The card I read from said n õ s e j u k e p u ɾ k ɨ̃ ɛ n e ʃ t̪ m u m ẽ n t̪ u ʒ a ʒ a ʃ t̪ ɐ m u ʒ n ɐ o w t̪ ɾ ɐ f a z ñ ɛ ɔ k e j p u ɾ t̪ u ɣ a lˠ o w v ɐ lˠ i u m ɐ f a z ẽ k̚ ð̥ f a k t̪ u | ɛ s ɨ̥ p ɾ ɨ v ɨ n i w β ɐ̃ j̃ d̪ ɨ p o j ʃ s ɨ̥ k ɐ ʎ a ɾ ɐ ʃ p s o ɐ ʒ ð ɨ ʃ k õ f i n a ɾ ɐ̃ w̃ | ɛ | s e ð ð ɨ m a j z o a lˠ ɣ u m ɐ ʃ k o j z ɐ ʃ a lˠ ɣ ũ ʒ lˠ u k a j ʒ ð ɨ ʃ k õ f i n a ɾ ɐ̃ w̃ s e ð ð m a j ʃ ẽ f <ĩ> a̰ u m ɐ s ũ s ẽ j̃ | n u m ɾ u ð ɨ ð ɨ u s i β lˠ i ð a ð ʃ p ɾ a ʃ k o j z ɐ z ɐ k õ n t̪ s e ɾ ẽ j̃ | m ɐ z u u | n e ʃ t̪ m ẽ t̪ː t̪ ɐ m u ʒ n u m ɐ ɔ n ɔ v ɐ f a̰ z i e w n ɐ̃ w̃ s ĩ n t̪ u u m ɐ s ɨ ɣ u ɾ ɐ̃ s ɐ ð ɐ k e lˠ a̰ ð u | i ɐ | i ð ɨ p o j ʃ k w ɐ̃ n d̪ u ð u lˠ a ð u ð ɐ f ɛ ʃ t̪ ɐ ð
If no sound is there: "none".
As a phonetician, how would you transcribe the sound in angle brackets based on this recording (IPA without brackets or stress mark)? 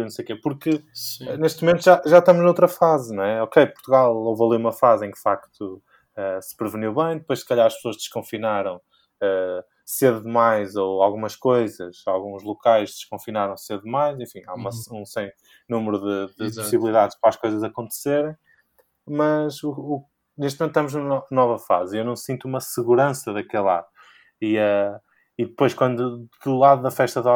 ĩ